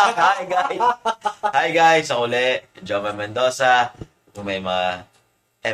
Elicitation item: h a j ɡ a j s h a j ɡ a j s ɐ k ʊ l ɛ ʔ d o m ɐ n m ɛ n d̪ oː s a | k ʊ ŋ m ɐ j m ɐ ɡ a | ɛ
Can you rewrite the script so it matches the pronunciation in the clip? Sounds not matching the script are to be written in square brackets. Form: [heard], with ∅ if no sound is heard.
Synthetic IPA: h a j ɡ a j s h a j ɡ a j s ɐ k ʊ l ɛ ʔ [d͡ʒ] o m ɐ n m ɛ n d̪ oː s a | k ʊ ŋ m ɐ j m ɐ [ŋ] a | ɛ